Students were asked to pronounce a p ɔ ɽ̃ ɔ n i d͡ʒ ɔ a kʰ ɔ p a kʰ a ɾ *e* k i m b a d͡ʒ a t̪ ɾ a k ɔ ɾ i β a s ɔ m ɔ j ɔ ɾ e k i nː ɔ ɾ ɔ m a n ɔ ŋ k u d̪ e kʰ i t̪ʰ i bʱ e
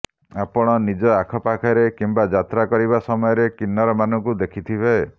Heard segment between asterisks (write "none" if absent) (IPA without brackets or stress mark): e